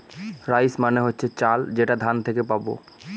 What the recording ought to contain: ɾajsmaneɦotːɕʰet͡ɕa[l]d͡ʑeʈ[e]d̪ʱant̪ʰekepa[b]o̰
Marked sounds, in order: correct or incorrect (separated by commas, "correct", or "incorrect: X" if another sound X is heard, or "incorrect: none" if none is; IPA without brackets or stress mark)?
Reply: correct, incorrect: a, correct